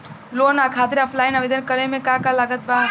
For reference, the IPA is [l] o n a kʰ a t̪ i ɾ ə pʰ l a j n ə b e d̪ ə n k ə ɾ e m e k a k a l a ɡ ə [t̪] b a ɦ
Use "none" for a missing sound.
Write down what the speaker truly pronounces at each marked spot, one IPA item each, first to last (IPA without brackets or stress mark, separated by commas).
l, t̪